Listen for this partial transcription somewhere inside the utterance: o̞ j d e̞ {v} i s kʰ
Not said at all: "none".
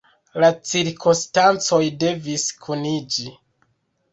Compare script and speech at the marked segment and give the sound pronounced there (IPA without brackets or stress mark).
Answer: v